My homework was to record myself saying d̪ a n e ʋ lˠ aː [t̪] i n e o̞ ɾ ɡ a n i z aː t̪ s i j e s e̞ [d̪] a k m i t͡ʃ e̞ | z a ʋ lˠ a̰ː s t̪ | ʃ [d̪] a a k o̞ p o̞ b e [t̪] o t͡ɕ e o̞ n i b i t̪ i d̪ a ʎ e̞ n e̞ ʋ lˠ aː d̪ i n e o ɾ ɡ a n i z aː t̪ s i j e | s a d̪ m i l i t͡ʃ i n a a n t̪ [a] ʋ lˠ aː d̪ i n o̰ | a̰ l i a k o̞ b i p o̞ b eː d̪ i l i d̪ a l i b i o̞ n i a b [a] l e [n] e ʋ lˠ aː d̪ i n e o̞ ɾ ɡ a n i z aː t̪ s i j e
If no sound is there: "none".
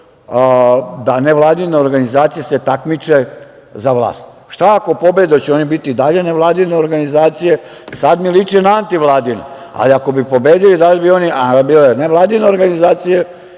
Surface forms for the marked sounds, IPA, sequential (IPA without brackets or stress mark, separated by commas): d̪, t̪, t̪, d̪, i, i, n